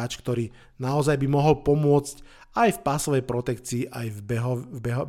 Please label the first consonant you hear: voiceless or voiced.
voiceless